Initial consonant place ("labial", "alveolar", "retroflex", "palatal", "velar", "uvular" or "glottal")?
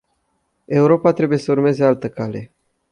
alveolar